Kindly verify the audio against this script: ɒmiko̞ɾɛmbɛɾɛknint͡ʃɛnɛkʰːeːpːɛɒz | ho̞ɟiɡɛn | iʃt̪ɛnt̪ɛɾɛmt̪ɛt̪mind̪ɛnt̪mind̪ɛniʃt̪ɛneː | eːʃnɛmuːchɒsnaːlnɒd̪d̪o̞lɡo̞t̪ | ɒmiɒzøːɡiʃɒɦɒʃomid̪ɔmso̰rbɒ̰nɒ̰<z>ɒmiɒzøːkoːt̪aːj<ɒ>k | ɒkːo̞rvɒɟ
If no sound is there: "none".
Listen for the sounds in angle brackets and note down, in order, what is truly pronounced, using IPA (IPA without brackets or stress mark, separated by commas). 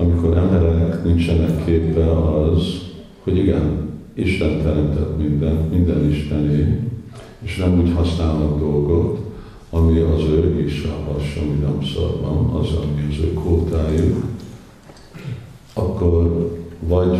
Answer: z, u